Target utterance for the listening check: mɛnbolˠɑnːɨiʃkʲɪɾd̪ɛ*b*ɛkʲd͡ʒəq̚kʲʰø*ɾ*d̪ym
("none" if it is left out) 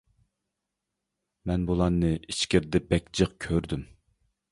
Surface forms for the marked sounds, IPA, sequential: b, ɾ

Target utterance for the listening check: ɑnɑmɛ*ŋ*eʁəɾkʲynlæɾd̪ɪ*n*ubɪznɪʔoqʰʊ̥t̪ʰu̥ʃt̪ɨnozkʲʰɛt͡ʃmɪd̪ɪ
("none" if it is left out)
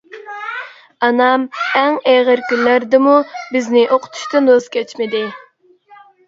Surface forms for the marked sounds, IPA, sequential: ŋ, m

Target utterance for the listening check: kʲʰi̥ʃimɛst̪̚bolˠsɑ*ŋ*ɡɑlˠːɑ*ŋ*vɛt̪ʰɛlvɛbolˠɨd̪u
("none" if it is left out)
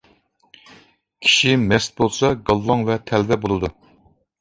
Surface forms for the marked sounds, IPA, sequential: none, ŋ

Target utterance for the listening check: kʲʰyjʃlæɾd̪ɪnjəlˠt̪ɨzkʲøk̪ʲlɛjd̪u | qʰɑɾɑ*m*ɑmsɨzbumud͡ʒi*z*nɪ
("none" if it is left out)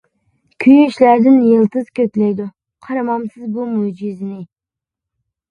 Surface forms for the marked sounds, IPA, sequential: m, z

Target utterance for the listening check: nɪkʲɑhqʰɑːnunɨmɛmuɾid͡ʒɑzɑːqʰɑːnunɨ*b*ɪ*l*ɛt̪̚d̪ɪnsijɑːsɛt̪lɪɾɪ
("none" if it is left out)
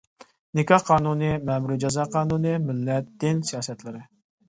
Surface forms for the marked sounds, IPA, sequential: m, lː

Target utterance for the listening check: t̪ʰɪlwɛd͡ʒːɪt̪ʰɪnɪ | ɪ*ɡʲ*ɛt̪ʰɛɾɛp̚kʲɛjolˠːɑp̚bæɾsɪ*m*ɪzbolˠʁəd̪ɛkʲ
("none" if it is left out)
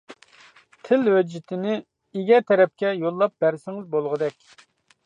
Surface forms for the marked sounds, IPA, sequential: ɡʲ, ŋ

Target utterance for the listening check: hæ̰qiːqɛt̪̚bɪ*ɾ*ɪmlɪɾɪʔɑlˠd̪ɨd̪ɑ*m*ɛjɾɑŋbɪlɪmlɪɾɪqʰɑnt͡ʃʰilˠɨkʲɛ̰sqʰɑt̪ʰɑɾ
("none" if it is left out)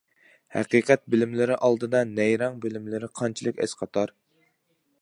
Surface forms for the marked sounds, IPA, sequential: l, n

